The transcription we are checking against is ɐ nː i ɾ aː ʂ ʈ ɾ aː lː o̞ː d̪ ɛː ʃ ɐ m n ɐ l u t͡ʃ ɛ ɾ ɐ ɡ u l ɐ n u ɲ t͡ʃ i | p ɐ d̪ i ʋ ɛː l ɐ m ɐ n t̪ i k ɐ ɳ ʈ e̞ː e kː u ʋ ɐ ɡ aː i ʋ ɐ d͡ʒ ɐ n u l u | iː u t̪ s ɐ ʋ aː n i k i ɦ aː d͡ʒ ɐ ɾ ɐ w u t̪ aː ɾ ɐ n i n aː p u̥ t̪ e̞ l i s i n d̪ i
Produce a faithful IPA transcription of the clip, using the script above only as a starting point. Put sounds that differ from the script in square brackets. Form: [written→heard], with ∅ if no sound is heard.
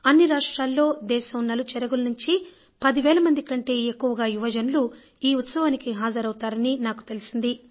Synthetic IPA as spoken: ɐ nː i ɾ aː ʂ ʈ ɾ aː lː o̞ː d̪ ɛː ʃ ɐ m n ɐ l u t͡ʃ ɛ ɾ ɐ ɡ u l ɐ n u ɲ t͡ʃ i | p ɐ d̪ i ʋ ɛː l ɐ m ɐ n [t̪→d̪] i k ɐ ɳ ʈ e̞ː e kː u ʋ ɐ ɡ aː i ʋ ɐ d͡ʒ ɐ n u l u | iː u t̪ s ɐ ʋ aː n i k i ɦ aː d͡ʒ ɐ ɾ ɐ w u t̪ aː ɾ ɐ n i n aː [p→k] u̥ t̪ e̞ l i s i n d̪ i

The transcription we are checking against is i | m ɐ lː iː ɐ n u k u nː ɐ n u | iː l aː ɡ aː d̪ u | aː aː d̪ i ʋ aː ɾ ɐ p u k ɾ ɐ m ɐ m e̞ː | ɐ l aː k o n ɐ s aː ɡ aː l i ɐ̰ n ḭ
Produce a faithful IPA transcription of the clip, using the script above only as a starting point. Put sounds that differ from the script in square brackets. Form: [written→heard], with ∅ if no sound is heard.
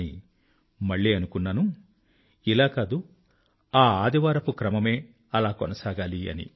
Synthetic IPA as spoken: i | m ɐ [lː→ɭː] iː ɐ n u k u nː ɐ n u | [iː→i] l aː [ɡ→k] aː d̪ u | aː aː d̪ i ʋ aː ɾ ɐ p u k ɾ ɐ m ɐ m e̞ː | ɐ l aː k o n ɐ s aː ɡ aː l i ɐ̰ n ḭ

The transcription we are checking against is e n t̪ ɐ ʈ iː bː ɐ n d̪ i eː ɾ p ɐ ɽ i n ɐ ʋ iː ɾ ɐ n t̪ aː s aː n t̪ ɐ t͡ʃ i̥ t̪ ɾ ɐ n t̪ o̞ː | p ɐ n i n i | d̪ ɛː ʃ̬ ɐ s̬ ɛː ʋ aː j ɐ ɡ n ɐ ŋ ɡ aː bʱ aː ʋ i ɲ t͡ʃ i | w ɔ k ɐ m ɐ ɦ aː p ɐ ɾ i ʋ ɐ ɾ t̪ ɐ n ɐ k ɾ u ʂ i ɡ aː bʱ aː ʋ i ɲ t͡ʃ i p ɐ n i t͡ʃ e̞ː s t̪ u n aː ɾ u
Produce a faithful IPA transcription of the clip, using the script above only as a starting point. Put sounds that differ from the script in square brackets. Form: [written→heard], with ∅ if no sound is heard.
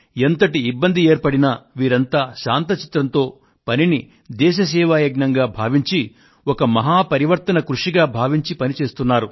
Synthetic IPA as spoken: e n t̪ ɐ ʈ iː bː ɐ n d̪ i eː ɾ p ɐ ɽ i n ɐ ʋ iː ɾ ɐ n t̪ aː [s→ʃ] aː n t̪ ɐ t͡ʃ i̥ t̪ ɾ ɐ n t̪ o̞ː | p ɐ n i n i | d̪ ɛː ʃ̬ ɐ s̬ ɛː ʋ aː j ɐ ɡ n ɐ ŋ ɡ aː bʱ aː ʋ i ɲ t͡ʃ i | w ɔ k ɐ m ɐ ɦ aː p ɐ ɾ i ʋ ɐ ɾ t̪ ɐ n ɐ k ɾ u ʂ i ɡ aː bʱ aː ʋ i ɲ t͡ʃ i p ɐ n i t͡ʃ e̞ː s t̪ u [n→nː] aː ɾ u

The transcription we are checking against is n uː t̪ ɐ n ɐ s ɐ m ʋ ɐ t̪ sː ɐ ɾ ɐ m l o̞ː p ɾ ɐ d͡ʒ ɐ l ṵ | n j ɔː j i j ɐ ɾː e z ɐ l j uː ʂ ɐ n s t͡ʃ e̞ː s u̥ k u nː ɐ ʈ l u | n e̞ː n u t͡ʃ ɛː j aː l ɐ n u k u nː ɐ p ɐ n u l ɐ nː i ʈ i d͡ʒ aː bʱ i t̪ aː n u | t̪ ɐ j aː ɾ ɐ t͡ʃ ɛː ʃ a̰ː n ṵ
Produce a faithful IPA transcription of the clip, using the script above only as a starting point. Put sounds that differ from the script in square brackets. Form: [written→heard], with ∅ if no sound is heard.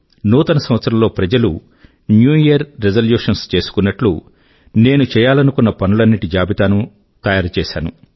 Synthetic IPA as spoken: n uː t̪ ɐ n ɐ s ɐ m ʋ ɐ t̪ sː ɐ ɾ ɐ m l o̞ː p ɾ ɐ d͡ʒ ɐ l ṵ | n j [ɔː→uː] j i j ɐ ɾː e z ɐ l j uː ʂ ɐ n s t͡ʃ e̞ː s u̥ k u nː ɐ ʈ l u | n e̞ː n u t͡ʃ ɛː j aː l ɐ n u k u nː ɐ p ɐ n u l ɐ nː i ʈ i d͡ʒ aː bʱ i t̪ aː n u | t̪ ɐ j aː ɾ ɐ t͡ʃ ɛː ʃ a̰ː n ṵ

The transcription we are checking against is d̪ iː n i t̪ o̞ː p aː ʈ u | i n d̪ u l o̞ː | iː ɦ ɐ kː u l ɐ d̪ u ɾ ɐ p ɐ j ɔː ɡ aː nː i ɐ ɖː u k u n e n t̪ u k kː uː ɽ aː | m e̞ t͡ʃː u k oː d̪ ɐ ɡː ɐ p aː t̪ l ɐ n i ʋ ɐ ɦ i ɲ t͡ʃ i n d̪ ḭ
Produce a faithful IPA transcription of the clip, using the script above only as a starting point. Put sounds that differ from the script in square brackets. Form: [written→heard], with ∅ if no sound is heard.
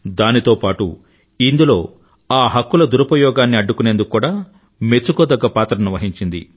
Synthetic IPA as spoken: d̪ [iː→aː] n i t̪ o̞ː p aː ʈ u | i n d̪ u l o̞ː | [iː→aː] ɦ ɐ kː u l ɐ d̪ u ɾ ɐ p ɐ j ɔː ɡ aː nː i ɐ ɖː u k u n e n [t̪→d̪] u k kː uː ɽ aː | m e̞ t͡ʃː u k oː d̪ ɐ ɡː ɐ p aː t̪ [l→ɾ] ɐ n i ʋ ɐ ɦ i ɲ t͡ʃ i n d̪ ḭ

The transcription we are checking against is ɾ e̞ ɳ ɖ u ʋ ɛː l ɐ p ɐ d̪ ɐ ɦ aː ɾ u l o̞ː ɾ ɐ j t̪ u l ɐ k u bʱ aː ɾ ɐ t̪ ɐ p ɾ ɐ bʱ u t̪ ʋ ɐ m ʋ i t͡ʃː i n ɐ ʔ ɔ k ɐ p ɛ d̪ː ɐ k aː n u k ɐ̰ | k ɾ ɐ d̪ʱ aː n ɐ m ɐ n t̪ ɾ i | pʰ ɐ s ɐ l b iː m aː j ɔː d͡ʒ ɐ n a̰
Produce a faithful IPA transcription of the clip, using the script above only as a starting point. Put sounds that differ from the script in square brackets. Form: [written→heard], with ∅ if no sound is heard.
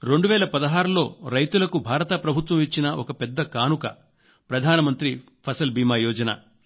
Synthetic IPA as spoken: ɾ e̞ ɳ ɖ u ʋ ɛː l ɐ p ɐ d̪ ɐ ɦ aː ɾ u l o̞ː ɾ ɐ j t̪ u l ɐ k u bʱ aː ɾ ɐ t̪ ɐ p ɾ ɐ bʱ u t̪ ʋ ɐ m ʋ i t͡ʃː i n ɐ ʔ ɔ k ɐ p ɛ d̪ː ɐ k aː n u k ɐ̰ | [k→p] ɾ ɐ d̪ʱ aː n ɐ m ɐ n t̪ ɾ i | pʰ ɐ s ɐ l b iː m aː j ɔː d͡ʒ ɐ n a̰

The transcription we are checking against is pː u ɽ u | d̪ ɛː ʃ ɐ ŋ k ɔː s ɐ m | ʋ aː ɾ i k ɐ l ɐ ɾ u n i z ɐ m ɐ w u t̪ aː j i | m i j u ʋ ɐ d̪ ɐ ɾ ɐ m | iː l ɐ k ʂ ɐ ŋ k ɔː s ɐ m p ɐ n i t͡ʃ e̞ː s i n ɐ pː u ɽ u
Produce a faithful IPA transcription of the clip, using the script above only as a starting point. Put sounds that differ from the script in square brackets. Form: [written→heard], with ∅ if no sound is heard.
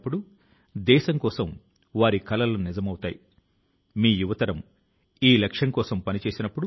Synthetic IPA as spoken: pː u ɽ u | d̪ ɛː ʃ ɐ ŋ k ɔː s ɐ m | ʋ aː ɾ i k ɐ l ɐ [ɾ→l] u n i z ɐ m ɐ w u t̪ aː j i | m [i→iː] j u ʋ ɐ [d̪→t̪] ɐ ɾ ɐ m | iː l ɐ k ʂ ɐ ŋ k ɔː s ɐ m p ɐ n i t͡ʃ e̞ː s i n ɐ pː u ɽ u

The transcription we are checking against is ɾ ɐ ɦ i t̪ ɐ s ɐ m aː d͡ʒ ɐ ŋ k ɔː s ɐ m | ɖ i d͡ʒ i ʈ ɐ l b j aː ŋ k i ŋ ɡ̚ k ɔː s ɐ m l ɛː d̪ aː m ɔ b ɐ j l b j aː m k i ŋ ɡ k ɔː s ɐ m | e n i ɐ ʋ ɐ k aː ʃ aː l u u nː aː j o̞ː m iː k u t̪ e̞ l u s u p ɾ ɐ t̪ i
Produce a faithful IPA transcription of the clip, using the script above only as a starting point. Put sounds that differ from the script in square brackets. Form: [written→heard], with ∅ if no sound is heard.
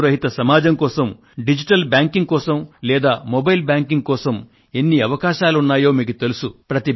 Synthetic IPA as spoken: ɾ ɐ ɦ i t̪ ɐ s ɐ m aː d͡ʒ ɐ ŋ k ɔː s ɐ m | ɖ i d͡ʒ i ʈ ɐ l b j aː ŋ k i ŋ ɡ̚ k ɔː s ɐ m l ɛː d̪ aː m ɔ b ɐ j l b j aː [m→ŋ] k i ŋ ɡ k ɔː s ɐ m | e [n→nː] i ɐ ʋ ɐ k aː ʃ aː l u u nː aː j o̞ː m iː k u t̪ e̞ l u s u p ɾ ɐ t̪ i

